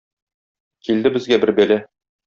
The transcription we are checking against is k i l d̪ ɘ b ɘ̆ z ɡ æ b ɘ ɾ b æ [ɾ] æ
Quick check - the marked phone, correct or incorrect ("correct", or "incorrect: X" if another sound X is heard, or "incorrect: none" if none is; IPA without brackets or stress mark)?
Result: incorrect: l